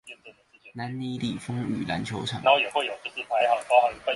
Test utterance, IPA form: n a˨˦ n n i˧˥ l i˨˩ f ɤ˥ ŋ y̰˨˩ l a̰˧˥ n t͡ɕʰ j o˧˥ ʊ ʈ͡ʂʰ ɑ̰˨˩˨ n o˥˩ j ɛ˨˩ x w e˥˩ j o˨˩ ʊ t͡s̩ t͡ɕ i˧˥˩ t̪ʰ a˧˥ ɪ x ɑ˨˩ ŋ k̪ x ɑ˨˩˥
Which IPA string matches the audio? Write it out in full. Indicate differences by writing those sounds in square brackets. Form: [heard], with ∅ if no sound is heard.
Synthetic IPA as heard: n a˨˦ n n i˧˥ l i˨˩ f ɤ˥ ŋ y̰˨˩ l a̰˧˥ n t͡ɕʰ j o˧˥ ʊ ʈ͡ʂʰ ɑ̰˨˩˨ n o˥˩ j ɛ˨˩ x w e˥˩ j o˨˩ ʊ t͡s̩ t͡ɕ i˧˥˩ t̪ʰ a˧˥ ɪ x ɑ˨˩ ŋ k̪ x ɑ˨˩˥